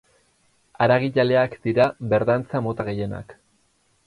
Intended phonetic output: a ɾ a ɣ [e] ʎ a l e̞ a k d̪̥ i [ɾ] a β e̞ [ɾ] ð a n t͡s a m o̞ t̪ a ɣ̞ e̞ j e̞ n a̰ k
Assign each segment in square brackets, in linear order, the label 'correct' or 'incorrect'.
incorrect, correct, correct

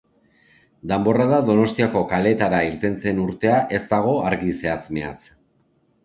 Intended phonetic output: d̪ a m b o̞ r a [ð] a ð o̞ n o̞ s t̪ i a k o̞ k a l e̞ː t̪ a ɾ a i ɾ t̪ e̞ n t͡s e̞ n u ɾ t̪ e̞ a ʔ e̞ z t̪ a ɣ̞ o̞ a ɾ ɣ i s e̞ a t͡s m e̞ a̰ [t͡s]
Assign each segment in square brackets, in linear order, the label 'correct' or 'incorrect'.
correct, correct

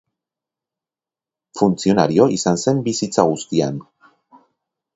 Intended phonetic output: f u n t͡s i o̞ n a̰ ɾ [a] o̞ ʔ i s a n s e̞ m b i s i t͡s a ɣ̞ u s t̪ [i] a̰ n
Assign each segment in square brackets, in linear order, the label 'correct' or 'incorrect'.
incorrect, correct

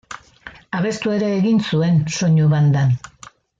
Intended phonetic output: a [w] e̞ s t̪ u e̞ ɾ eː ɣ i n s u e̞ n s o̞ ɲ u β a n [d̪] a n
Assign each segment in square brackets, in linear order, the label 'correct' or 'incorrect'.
incorrect, correct

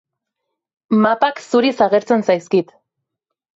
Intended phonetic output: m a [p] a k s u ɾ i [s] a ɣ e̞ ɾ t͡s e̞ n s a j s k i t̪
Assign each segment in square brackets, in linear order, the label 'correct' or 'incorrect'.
correct, correct

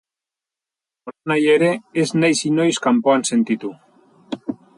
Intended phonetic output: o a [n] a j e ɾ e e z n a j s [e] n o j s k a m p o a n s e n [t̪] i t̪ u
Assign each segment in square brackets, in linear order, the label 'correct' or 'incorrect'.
correct, incorrect, correct

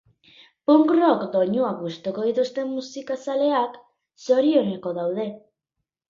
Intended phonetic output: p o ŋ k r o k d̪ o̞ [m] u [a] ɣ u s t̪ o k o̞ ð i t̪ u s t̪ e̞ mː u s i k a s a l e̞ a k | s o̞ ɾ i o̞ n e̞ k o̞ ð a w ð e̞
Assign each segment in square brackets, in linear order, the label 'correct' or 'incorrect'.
incorrect, correct

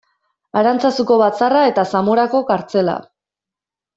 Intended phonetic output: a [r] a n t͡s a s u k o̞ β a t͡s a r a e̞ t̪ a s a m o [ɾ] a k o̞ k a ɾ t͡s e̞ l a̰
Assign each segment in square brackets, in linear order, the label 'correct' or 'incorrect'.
incorrect, correct

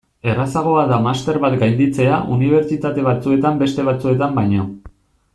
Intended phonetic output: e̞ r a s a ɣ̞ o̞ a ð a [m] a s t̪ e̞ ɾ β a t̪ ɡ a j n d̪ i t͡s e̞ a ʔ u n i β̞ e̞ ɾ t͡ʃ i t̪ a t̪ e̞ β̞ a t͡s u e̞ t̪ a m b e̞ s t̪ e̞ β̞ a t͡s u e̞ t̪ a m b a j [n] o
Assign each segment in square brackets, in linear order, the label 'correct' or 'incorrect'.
correct, incorrect

